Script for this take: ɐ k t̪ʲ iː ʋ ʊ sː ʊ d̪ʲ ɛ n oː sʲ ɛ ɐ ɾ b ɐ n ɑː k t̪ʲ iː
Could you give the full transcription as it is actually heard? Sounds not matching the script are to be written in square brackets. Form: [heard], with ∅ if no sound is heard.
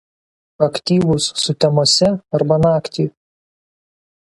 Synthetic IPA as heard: ɐ k t̪ʲ iː ʋ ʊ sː ʊ [t̪ʲ] ɛ [m] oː sʲ ɛ ɐ ɾ b ɐ n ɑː k t̪ʲ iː